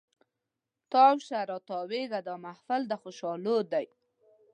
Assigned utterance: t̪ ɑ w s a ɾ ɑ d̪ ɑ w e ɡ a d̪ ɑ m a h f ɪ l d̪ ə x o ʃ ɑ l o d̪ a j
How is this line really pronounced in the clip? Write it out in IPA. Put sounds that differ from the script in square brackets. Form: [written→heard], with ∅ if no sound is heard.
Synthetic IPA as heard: t̪ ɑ w [s→ʃ] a ɾ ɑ [d̪→t̪] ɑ w e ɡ a d̪ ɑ m a h f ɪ l d̪ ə x o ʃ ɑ l o d̪ a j